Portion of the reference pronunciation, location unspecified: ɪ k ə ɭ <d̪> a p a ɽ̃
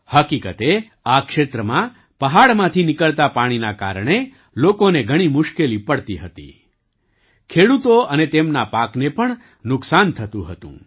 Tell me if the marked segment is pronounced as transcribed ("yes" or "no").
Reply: no